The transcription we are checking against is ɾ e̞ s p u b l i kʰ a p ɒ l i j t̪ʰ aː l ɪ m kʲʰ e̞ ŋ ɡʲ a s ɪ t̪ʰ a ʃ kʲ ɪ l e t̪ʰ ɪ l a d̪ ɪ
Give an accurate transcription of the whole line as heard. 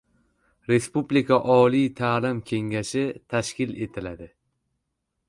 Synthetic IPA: ɾ e̞ s p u b l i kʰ a ʔ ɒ l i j t̪ʰ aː l ɪ m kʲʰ e̞ ŋ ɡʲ a ʃ ɪ t̪ʰ a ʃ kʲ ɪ l e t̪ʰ ɪ l a d̪ ɪ

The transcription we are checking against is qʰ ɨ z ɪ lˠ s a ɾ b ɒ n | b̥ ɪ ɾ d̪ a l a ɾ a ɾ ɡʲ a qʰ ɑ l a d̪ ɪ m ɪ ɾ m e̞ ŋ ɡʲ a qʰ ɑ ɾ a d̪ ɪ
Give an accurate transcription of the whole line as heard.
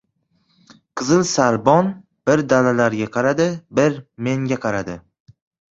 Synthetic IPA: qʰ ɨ z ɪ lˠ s a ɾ b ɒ n | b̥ ɪ ɾ d̪ a l a l a ɾ ɡʲ a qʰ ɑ ɾ a d̪ ɪ b ɪ ɾ m e̞ ŋ ɡʲ a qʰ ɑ ɾ a d̪ ɪ

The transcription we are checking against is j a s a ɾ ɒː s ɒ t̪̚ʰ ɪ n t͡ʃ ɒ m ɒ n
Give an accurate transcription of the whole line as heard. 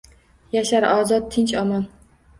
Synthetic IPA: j a ʃ a ɾ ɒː z ɒ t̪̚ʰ ɪ n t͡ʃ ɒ m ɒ n

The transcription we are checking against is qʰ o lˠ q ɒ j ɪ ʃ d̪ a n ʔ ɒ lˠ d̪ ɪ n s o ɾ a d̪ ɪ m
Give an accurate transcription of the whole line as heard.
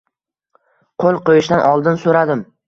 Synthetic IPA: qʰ o lˠ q o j ɪ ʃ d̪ a n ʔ ɒ lˠ d̪ ɪ n s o ɾ a d̪ ɪ m

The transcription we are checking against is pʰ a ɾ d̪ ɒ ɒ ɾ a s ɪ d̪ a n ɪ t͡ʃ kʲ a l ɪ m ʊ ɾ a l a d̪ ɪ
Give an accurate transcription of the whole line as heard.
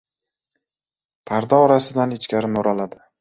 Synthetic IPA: pʰ a ɾ d̪ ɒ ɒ ɾ a s ɪ d̪ a n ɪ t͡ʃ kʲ a ɾ ɪ m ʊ ɾ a l a d̪ ɪ

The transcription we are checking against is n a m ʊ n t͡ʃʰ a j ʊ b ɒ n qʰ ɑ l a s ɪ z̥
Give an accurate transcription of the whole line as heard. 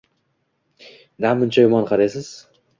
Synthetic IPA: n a m ʊ n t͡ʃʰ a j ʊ m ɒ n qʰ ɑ ɾ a s ɪ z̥

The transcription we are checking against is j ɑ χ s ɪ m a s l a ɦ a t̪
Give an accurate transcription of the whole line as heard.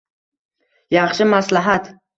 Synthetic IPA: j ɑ χ ʃ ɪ m a s l a ɦ a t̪

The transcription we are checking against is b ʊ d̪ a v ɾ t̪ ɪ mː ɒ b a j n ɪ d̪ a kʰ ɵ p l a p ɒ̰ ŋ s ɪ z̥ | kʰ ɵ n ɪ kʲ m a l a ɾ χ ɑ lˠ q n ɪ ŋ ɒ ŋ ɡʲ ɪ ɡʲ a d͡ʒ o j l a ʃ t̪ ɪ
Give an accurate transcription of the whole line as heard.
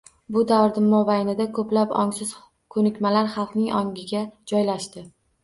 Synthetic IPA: b ʊ d̪ a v ɾ d̪ ɪ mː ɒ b a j n ɪ d̪ a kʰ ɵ p l a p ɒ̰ ŋ s ɪ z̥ | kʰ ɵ n ɪ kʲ m a l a ɾ χ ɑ lˠ q n ɪ ŋ ɒ ŋ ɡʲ ɪ ɡʲ a d͡ʒ ɒ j l a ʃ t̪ ɪ

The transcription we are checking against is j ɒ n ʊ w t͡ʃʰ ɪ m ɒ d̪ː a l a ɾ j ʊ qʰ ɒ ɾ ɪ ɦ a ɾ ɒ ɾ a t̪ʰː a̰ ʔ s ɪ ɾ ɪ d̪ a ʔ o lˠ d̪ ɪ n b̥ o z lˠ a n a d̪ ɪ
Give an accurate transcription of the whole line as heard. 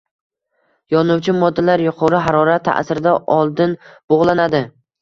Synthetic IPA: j ɒ n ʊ w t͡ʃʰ ɪ m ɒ d̪ː a l a ɾ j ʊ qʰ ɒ ɾ ɪ ɦ a ɾ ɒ ɾ a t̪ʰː a̰ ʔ s ɪ ɾ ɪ d̪ a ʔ ɒ lˠ d̪ ɪ n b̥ o ʁ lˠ a n a d̪ ɪ

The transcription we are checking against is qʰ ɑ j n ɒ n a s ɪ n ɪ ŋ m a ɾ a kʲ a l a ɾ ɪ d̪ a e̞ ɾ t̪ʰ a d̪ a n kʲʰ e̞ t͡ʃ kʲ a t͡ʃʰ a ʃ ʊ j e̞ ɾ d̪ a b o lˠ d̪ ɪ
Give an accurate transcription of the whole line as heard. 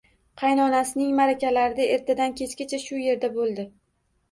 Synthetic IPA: qʰ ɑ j n ɒ n a s ɪ n ɪ ŋ m a ɾ a kʲ a l a ɾ ɪ d̪ a e̞ ɾ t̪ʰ a d̪ a n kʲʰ e̞ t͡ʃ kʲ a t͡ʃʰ a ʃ ʊ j e̞ ɾ d̪ a b o lˠ d̪ ɪ

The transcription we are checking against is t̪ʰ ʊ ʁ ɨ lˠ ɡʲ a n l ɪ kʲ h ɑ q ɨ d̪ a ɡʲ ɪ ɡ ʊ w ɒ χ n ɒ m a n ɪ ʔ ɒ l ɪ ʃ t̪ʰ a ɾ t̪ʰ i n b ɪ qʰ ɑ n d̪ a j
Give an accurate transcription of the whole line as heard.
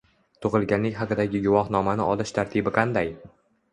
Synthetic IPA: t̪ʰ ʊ ʁ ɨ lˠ ɡʲ a n l ɪ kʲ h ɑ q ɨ d̪ a ɡʲ ɪ ɡ ʊ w ɒ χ n ɒ m a n ɪ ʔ ɒ l ɪ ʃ t̪ʰ a ɾ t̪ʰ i b ɪ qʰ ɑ n d̪ a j

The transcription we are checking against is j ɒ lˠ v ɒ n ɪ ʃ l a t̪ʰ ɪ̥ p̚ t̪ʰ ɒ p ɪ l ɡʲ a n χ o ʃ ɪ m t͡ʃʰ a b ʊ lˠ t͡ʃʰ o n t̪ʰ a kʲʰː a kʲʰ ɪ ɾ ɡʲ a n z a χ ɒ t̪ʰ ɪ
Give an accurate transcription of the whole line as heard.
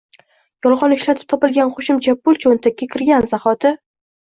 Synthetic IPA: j ɒ lˠ ʁ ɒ n ɪ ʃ l a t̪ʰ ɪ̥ p̚ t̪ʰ ɒ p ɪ l ɡʲ a n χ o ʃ ɪ m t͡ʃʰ a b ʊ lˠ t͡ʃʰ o n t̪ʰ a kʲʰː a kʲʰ ɪ ɾ ɡʲ a n z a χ ɒ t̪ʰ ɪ

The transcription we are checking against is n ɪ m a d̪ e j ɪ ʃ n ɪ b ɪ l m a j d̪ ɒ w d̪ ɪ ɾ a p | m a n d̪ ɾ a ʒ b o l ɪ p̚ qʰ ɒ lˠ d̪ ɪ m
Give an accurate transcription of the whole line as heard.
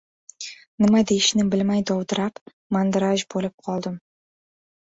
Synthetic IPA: n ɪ m a d̪ e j ɪ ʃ n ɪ b ɪ l m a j d̪ ɒ w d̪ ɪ ɾ a p | m a n d̪ ɾ a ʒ b o l ɪ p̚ qʰ ɒ lˠ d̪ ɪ m

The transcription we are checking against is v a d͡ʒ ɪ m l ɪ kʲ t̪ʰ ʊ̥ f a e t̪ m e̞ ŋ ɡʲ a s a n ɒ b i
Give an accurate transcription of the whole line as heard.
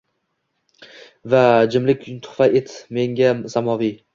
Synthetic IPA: v a d͡ʒ ɪ m l ɪ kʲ t̪ʰ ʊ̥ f a e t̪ m e̞ ŋ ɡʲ a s a m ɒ v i

